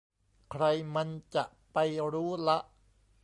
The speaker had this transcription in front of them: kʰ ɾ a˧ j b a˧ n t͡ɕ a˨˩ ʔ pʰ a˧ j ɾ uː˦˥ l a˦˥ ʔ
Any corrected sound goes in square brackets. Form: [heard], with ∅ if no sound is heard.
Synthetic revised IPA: kʰ ɾ a˧ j [m] a˧ n t͡ɕ a˨˩ ʔ [p] a˧ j ɾ uː˦˥ l a˦˥ ʔ

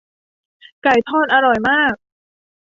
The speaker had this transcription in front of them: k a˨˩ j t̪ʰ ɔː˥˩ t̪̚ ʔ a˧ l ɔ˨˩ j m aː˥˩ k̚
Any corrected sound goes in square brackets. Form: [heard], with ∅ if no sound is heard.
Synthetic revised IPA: k a˨˩ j t̪ʰ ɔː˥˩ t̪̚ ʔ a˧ [ɾ] ɔ˨˩ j m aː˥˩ k̚

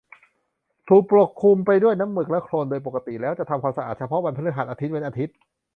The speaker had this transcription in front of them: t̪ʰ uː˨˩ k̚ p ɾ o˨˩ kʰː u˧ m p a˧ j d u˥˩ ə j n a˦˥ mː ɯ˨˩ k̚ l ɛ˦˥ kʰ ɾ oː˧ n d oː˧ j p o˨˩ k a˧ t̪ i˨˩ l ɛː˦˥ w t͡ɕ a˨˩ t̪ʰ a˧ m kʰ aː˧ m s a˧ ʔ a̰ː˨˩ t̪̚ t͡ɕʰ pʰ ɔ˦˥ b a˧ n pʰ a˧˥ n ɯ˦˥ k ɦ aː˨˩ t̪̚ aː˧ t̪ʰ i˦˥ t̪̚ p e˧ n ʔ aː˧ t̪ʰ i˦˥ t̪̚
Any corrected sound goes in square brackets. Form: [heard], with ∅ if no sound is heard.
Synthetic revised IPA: t̪ʰ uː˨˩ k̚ p ɾ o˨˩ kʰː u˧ m p a˧ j d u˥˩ ə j n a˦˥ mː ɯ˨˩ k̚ l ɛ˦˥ kʰ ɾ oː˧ n d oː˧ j p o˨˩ k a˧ t̪ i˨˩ l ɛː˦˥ w t͡ɕ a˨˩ t̪ʰ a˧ m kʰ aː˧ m s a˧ ʔ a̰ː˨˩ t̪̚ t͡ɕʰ pʰ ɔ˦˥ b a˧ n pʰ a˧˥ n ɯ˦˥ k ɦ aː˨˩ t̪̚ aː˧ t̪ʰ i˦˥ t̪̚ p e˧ n ʔ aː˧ t̪ʰ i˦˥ t̪̚

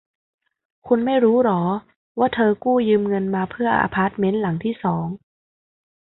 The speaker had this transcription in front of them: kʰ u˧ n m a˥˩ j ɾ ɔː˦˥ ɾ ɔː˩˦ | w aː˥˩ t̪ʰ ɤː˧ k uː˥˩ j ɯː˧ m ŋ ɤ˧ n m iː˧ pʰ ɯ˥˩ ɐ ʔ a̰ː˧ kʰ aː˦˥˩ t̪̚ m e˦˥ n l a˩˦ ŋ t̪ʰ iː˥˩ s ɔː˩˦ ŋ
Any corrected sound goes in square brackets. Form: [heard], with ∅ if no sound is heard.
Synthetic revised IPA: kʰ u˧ n m a˥˩ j ɾ [uː˦˥] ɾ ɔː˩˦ | w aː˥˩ t̪ʰ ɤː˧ k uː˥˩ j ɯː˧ m ŋ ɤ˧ n m [aː˧] pʰ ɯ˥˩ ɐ ʔ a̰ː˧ [pʰ] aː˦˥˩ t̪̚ m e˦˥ n l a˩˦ ŋ t̪ʰ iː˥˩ s ɔː˩˦ ŋ

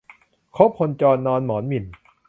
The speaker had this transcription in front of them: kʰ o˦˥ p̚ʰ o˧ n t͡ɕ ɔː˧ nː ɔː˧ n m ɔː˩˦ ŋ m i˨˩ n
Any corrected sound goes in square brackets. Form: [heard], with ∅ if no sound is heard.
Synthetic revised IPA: kʰ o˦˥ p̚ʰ o˧ n t͡ɕ ɔː˧ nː ɔː˧ n m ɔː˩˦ [n] m i˨˩ n

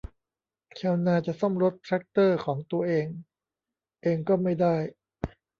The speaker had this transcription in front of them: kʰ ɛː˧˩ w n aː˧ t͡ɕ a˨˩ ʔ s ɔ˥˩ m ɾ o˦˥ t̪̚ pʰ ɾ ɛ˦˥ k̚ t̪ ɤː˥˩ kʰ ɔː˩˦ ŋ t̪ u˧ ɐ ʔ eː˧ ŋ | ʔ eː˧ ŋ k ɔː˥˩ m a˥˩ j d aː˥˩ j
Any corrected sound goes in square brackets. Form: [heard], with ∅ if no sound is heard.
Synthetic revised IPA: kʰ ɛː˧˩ w n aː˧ t͡ɕ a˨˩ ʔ s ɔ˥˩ m ɾ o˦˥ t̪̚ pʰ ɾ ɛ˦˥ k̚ t̪ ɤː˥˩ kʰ ɔː˩˦ ŋ t̪ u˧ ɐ ʔ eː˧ ŋ | ʔ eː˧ ŋ k ɔː˥˩ m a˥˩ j d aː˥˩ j

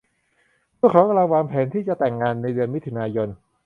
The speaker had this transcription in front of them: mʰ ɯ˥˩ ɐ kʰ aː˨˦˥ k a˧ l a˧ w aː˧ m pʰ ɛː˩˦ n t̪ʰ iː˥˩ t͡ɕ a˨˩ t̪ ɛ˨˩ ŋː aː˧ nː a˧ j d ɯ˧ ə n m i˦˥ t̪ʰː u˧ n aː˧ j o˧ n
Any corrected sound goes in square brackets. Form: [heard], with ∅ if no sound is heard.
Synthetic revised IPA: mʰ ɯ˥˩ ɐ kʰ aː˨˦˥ k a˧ l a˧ w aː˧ m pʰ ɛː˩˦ n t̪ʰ iː˥˩ t͡ɕ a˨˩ t̪ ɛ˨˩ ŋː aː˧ nː a˧ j d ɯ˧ ə n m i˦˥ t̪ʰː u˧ n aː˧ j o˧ n

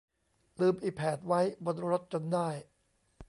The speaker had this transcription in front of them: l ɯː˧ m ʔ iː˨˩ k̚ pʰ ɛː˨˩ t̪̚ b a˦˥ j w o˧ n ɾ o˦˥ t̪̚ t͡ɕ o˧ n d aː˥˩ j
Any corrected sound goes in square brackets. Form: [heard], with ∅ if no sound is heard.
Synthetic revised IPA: l ɯː˧ m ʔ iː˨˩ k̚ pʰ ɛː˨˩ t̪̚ [w] a˦˥ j [b] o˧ n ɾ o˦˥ t̪̚ t͡ɕ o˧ n d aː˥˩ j

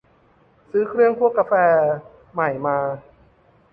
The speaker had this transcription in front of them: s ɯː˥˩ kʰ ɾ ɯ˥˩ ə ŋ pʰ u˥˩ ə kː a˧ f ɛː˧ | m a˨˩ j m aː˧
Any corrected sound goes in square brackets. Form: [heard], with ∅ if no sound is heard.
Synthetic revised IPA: s [ɯː˦˥] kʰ ɾ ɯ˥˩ ə ŋ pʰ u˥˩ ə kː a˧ f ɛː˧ | m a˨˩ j m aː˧

